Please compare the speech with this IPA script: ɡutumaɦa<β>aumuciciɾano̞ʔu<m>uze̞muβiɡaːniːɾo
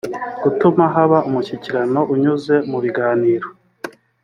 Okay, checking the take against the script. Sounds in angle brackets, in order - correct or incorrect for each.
correct, incorrect: ɲ

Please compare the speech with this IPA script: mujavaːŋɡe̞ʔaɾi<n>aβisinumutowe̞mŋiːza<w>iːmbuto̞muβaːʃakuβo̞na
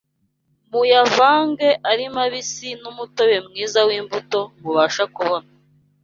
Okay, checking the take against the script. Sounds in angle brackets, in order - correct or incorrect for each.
incorrect: m, correct

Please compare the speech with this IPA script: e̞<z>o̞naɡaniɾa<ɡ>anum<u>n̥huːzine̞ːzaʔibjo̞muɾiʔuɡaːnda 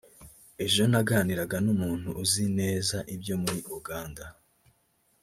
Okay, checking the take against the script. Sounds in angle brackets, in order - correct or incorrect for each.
incorrect: ʒ, correct, incorrect: uː

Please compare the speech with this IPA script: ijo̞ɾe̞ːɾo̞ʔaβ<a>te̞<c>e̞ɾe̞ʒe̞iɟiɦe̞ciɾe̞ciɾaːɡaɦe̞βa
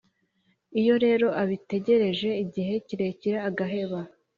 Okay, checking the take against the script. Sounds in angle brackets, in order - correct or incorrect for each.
incorrect: i, incorrect: ɟ

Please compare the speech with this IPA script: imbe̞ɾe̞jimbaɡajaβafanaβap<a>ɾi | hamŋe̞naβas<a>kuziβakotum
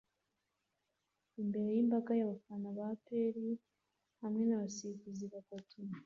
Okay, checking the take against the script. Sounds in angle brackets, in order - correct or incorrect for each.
incorrect: e, incorrect: i

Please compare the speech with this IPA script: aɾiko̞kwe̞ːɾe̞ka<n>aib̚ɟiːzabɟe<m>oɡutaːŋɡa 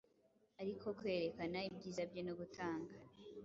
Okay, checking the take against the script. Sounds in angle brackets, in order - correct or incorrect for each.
correct, incorrect: n

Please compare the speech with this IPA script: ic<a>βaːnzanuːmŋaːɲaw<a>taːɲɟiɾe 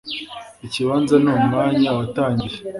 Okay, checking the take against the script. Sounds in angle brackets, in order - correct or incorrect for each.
incorrect: i, correct

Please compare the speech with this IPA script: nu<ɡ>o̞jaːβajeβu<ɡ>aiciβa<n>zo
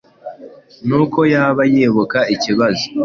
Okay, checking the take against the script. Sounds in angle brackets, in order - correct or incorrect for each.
incorrect: k, incorrect: k, incorrect: none

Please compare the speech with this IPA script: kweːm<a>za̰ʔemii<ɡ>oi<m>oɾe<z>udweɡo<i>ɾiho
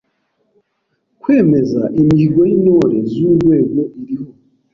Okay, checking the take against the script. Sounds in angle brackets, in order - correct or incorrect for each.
incorrect: e, correct, incorrect: n, correct, correct

